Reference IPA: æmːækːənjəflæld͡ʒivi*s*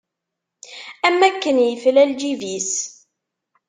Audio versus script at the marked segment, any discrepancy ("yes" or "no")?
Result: no